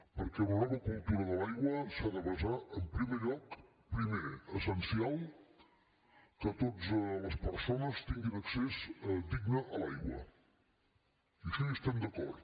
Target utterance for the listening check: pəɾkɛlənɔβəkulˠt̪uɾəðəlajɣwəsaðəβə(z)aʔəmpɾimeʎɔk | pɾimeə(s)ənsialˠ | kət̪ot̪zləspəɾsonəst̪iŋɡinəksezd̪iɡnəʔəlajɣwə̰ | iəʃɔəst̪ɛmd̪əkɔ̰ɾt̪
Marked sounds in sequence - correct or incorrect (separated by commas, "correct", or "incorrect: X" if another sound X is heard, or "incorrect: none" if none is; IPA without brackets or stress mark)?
correct, correct